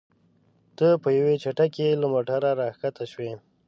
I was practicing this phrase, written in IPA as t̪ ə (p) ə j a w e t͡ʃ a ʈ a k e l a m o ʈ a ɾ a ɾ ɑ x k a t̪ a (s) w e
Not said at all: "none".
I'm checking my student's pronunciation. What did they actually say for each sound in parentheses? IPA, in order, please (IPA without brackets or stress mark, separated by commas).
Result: p, ʃ